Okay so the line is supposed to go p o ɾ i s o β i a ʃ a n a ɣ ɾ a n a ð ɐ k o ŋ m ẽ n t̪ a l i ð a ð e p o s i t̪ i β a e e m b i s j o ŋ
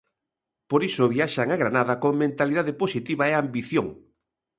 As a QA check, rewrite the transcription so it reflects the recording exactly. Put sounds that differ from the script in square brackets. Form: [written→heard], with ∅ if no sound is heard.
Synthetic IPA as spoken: p o ɾ i s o β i a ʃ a [n→ŋ] a ɣ ɾ a n a ð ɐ k o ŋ m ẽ n t̪ a l i ð a ð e p o s i t̪ i β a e [e→a] m b i [s→θ] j o ŋ